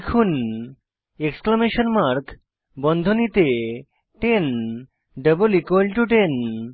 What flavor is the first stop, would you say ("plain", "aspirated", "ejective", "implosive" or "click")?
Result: aspirated